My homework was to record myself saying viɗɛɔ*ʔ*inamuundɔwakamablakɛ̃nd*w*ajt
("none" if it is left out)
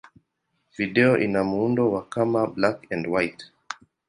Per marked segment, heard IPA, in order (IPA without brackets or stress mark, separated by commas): ʔ, w